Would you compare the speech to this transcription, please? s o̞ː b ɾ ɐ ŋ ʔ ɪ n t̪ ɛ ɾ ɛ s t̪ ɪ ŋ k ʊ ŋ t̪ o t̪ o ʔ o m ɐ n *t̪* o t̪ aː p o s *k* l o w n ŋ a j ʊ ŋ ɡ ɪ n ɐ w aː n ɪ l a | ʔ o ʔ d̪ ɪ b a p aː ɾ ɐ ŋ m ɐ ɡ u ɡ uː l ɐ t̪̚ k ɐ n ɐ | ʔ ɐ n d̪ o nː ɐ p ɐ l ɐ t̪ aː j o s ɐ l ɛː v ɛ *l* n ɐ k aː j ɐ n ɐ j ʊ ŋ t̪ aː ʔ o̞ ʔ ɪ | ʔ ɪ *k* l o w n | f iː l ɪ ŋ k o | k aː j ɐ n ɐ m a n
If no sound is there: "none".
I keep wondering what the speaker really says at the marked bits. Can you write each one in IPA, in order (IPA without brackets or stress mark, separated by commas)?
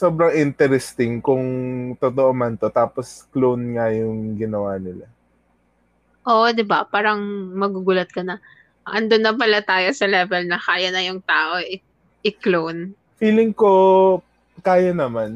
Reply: t̪, k, l, k